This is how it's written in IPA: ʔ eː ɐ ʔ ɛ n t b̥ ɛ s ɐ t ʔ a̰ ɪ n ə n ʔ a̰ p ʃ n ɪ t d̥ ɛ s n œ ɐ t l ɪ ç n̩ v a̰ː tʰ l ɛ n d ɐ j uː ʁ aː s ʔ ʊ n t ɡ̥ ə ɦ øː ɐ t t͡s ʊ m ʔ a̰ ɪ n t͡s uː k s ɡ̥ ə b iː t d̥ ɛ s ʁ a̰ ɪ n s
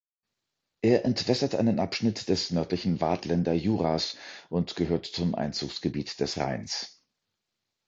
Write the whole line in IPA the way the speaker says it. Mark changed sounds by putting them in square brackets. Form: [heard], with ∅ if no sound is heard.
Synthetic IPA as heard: ʔ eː ɐ ʔ ɛ n t [v̥] ɛ s ɐ t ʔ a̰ ɪ n ə n ʔ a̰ p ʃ n ɪ t d̥ ɛ s n œ ɐ t l ɪ ç n̩ v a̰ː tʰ l ɛ n d ɐ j uː ʁ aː s ʔ ʊ n t ɡ̥ ə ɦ øː ɐ t t͡s ʊ m ʔ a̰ ɪ n t͡s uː k s ɡ̥ ə b iː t d̥ ɛ s ʁ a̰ ɪ n s